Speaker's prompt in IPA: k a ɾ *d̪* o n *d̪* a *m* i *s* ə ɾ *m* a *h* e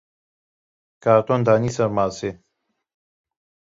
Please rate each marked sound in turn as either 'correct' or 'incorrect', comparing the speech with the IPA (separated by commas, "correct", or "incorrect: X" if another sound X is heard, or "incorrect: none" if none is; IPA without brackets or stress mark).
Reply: incorrect: t̪, correct, incorrect: n, correct, correct, incorrect: s